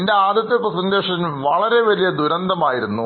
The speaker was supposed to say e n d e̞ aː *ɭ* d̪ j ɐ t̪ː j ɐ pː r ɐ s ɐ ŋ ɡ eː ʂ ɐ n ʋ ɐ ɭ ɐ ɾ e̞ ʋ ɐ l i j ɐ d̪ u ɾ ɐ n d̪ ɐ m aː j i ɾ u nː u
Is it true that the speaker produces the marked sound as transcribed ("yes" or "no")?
no